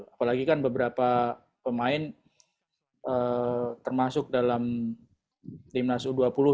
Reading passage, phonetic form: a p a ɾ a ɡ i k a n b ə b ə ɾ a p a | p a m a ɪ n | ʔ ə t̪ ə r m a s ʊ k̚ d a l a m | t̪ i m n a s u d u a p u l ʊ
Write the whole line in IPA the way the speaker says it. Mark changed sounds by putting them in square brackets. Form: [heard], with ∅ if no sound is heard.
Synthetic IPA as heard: a p a [l] a ɡ i k a n b ə b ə ɾ a p a | p [ə] m a ɪ n | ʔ ə t̪ ə r m a s ʊ k̚ d a l a m | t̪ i m n a s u d u a p u l ʊ